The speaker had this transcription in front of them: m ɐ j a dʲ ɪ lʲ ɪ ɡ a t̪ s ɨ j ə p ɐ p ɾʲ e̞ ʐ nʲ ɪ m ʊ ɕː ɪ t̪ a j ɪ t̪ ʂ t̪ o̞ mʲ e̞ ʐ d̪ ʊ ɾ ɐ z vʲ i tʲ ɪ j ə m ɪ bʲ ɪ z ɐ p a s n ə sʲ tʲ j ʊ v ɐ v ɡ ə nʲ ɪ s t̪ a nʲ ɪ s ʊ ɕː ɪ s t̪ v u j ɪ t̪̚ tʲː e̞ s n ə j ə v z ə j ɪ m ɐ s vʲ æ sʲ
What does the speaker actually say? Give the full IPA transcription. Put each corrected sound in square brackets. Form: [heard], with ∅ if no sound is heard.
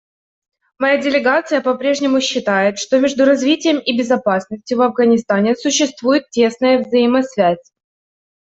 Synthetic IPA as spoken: m ɐ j a dʲ ɪ lʲ ɪ ɡ a t̪ s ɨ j ə p ɐ p ɾʲ e̞ ʐ nʲ ɪ m ʊ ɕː ɪ t̪ a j ɪ t̪ ʂ t̪ o̞ mʲ e̞ ʐ d̪ ʊ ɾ ɐ z vʲ i tʲ ɪ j ə m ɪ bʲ ɪ z ɐ p a s n ə sʲ tʲ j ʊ v ɐ v ɡ ə nʲ ɪ s t̪ a nʲ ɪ s ʊ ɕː ɪ s t̪ v u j ɪ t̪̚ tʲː e̞ s n ə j ə v z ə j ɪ m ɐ s vʲ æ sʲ

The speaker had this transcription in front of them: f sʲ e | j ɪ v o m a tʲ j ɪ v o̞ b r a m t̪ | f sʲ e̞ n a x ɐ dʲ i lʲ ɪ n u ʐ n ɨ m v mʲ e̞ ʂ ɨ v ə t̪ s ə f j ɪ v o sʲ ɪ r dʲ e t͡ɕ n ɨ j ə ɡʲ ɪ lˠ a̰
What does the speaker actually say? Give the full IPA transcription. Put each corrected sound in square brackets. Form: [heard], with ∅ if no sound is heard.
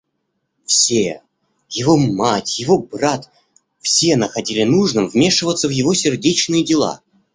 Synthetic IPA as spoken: f sʲ e | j ɪ v o m a tʲ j ɪ v o̞ b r a [∅] t̪ | f sʲ e̞ n [ə] x ɐ dʲ i lʲ ɪ n u ʐ n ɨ m v mʲ e̞ ʂ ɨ v ə t̪ s ə [v] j ɪ v o sʲ ɪ r dʲ e t͡ɕ n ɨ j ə [dʲ] ɪ lˠ a̰

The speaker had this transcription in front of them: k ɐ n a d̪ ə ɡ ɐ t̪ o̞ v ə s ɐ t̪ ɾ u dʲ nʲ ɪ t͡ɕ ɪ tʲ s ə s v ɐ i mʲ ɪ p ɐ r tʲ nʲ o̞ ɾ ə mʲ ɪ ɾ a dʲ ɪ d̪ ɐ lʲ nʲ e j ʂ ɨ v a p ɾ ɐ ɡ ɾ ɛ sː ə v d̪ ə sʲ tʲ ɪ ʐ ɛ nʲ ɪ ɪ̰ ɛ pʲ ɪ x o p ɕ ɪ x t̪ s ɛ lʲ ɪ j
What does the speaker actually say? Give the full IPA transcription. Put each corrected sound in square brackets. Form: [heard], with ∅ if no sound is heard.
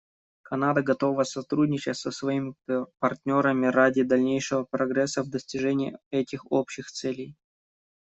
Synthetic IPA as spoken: k ɐ n a d̪ ə ɡ ɐ t̪ o̞ v ə s ɐ t̪ ɾ u dʲ nʲ ɪ t͡ɕ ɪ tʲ s ə s v ɐ i mʲ ɪ p ɐ r tʲ nʲ o̞ ɾ ə mʲ ɪ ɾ a dʲ ɪ d̪ ɐ lʲ nʲ e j ʂ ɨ v [ə] p ɾ ɐ ɡ ɾ ɛ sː ə v d̪ ə sʲ tʲ ɪ ʐ ɛ nʲ ɪ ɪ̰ ɛ [tʲ] ɪ x o p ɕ ɪ x t̪ s ɛ lʲ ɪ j

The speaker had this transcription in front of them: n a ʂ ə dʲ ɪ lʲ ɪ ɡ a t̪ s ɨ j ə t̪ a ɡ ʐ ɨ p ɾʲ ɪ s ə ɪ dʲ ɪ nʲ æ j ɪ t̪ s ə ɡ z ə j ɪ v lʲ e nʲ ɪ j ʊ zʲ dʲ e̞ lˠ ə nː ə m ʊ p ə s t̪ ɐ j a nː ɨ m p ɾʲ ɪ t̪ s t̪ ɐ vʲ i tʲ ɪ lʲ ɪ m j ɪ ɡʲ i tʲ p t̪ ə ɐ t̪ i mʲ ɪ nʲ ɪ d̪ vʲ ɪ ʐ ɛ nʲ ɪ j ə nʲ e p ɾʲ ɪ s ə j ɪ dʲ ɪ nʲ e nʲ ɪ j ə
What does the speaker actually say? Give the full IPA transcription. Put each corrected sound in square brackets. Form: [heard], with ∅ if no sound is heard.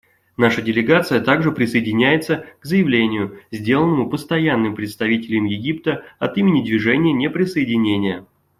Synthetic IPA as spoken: n a ʂ ə dʲ ɪ lʲ ɪ ɡ a t̪ s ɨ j ə t̪ a ɡ ʐ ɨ p ɾʲ ɪ s ə ɪ dʲ ɪ nʲ æ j ɪ t̪ s ə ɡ z ə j ɪ v lʲ e nʲ ɪ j ʊ zʲ dʲ e̞ lˠ ə nː ə m ʊ p ə s t̪ ɐ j a nː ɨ m p ɾʲ ɪ t̪ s t̪ ɐ vʲ i tʲ ɪ lʲ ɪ m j ɪ ɡʲ i [∅] p t̪ ə ɐ t̪ i mʲ ɪ nʲ ɪ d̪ vʲ ɪ ʐ ɛ nʲ ɪ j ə nʲ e p ɾʲ ɪ s ə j ɪ dʲ ɪ nʲ e nʲ ɪ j ə

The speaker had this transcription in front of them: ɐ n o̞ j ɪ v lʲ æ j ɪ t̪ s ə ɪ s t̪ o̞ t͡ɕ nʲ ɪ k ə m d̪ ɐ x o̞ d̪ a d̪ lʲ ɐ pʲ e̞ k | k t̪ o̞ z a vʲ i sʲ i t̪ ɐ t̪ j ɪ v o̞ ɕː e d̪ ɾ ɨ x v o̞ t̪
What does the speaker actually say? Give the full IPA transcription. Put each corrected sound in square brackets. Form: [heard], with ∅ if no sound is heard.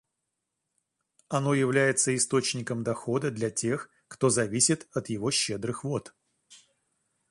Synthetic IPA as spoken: ɐ n o̞ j ɪ v lʲ æ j ɪ t̪ s ə ɪ s t̪ o̞ t͡ɕ nʲ ɪ k ə m d̪ ɐ x o̞ d̪ [ə] d̪ lʲ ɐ [tʲ] e̞ [x] | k t̪ o̞ z [ɐ] vʲ i sʲ [ɪ] t̪ ɐ t̪ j ɪ v o̞ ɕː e d̪ ɾ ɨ x v o̞ t̪

